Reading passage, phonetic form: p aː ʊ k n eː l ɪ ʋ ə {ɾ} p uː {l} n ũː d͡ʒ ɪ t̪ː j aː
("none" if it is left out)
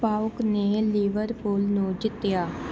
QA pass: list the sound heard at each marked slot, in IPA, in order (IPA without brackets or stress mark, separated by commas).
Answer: ɾ, l